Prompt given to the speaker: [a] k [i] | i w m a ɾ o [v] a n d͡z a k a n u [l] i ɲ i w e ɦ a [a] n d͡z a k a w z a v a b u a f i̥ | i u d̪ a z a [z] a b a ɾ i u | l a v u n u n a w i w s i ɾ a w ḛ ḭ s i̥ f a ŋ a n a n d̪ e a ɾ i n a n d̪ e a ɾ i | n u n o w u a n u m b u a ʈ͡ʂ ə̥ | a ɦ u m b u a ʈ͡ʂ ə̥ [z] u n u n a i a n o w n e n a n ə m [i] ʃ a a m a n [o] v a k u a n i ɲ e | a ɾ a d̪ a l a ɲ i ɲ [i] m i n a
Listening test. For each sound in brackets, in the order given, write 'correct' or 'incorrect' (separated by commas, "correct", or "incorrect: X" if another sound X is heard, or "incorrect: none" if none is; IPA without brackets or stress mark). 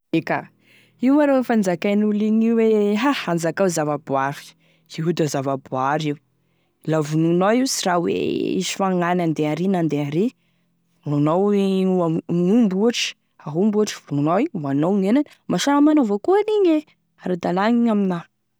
incorrect: e, incorrect: a, incorrect: f, correct, correct, incorrect: v, incorrect: v, incorrect: a, correct, incorrect: a